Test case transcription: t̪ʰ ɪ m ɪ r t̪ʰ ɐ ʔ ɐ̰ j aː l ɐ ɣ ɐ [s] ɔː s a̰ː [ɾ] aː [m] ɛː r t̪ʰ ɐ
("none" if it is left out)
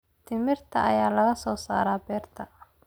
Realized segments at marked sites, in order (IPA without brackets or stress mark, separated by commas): s, ɾ, b